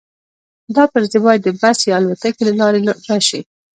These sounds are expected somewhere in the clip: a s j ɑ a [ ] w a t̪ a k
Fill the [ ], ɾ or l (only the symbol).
l